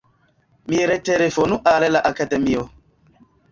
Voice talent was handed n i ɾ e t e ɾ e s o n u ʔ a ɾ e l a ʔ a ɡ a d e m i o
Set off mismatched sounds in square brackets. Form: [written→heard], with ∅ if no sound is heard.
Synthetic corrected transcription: [n→m] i ɾ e t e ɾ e [s→f] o n u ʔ a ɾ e l a ʔ a [ɡ→k] a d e m i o